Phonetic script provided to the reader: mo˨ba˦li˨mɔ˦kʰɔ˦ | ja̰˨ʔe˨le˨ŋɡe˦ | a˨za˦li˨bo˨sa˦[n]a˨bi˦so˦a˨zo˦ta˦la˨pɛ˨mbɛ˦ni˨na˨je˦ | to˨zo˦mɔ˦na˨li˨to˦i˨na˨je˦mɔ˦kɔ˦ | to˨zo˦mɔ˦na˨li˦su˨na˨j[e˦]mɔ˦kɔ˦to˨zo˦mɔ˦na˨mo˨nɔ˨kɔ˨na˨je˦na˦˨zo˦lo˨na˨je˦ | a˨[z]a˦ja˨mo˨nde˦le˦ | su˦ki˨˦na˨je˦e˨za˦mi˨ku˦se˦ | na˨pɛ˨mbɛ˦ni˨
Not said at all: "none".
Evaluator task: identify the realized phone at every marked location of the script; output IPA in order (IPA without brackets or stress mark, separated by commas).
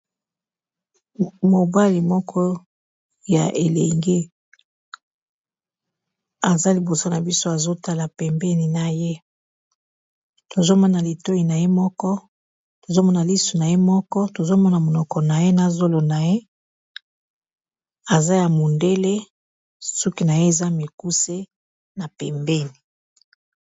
n, e˦, z